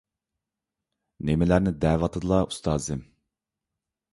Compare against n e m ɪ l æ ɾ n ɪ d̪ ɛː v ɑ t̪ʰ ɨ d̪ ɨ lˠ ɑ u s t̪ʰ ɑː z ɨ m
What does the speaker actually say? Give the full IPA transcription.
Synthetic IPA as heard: n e m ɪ l æ ɾ n ɪ d̪ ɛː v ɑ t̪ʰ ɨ d̪ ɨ lˠ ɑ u s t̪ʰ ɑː z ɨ m